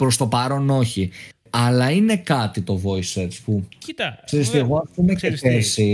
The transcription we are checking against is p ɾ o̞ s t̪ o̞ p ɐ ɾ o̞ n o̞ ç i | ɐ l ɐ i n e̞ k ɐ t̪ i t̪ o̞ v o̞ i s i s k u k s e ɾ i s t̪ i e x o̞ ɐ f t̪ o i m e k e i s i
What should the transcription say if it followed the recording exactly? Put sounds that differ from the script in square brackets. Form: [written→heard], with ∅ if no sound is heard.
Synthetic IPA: p ɾ o̞ s t̪ o̞ p ɐ ɾ o̞ n o̞ ç i | ɐ l ɐ i n e̞ k ɐ t̪ i t̪ o̞ v o̞ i s [i→e] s [k→p] u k s e ɾ i s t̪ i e [x→ɣ] o̞ ɐ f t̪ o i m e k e [i→e] s i